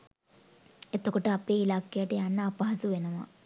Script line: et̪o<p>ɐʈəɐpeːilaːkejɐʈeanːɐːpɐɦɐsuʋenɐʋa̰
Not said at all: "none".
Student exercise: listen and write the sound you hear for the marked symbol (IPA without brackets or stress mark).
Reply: k